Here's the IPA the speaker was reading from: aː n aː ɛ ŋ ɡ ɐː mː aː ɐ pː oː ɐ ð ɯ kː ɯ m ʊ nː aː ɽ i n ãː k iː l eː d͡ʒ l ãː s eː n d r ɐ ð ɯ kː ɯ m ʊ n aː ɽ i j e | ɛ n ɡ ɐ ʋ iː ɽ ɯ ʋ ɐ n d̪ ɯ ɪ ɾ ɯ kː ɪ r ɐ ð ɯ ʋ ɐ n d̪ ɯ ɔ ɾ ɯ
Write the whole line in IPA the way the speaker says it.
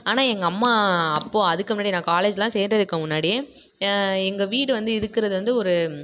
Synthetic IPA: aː n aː ɛ ŋ ɡ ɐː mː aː ɐ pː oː ɐ ð ɯ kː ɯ m ʊ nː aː ɽ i n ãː k aː l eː d͡ʒ l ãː s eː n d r ɐ ð ɯ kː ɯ m ʊ nː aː ɽ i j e | ɛ ŋ ɡ ɐ ʋ iː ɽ ɯ ʋ ɐ n d̪ ɯ ɪ ɾ ɯ kː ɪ ɾ ɐ ð ɯ ʋ ɐ n d̪ ɯ ɔ ɾ ɯ